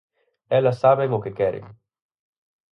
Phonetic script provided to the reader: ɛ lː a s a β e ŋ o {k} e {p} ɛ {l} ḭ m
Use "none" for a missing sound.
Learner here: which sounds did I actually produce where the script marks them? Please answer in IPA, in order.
k, k, ɾ

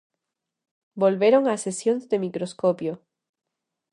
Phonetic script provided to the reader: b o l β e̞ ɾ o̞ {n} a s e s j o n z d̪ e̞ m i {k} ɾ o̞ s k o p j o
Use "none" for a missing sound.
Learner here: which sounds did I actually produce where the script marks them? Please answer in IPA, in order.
ŋ, k

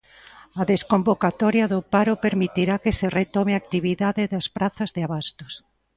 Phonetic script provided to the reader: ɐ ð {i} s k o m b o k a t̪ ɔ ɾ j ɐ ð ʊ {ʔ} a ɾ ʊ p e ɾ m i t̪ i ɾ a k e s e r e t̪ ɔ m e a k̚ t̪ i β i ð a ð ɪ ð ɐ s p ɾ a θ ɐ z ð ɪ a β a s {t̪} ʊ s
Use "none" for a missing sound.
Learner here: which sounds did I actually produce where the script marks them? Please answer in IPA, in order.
e, p, t̪

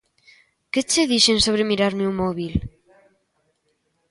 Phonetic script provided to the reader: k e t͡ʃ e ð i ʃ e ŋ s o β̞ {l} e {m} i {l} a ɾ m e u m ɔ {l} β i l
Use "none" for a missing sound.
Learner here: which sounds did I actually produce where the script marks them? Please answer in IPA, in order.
ɾ, m, ɾ, none

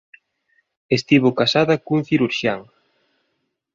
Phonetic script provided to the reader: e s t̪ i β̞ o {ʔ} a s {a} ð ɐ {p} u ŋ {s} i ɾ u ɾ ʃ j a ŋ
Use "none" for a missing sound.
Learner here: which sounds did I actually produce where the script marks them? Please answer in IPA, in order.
k, a, k, θ

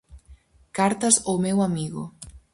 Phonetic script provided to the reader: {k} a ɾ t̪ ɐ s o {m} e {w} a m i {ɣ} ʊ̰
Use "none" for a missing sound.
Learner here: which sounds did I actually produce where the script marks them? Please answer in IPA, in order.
k, m, w, ɣ

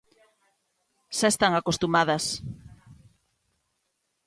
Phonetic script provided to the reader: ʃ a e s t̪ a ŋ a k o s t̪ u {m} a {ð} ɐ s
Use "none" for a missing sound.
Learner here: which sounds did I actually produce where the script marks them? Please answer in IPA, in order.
m, ð

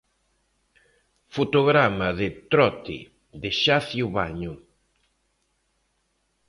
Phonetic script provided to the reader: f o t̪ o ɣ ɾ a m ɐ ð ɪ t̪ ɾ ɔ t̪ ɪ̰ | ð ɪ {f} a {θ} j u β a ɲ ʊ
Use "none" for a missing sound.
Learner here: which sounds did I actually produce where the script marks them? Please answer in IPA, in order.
ʃ, θ

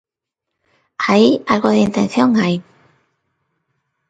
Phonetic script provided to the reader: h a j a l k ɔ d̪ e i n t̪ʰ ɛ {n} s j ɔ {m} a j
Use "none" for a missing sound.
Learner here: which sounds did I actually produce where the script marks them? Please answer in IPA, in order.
n, ŋ

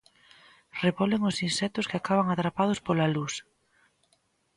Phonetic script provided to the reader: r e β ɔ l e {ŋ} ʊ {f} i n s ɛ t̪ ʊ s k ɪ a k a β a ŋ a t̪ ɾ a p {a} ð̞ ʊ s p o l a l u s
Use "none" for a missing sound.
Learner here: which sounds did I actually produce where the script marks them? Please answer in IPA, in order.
ŋ, s, a

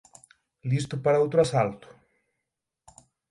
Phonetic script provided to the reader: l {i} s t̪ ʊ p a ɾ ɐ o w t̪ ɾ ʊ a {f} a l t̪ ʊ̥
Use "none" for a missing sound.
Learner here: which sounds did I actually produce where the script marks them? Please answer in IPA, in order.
i, s

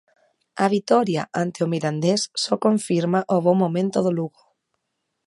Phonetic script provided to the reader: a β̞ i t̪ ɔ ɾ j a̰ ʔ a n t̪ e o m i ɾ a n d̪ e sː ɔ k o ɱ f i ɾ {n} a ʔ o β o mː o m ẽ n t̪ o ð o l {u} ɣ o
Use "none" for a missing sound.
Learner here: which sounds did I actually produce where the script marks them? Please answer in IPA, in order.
m, u

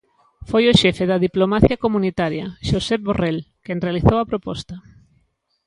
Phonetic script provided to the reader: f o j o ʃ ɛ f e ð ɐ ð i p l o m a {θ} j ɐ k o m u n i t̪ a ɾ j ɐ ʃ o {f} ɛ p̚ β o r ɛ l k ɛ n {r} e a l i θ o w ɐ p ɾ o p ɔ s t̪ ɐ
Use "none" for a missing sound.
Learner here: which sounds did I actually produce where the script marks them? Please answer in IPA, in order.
θ, s, r

